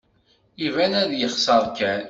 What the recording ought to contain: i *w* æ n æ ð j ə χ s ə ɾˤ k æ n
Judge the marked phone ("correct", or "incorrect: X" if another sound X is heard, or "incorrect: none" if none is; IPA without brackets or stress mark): incorrect: v